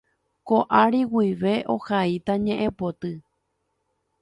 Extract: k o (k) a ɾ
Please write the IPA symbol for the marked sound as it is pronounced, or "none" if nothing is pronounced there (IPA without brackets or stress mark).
ʔ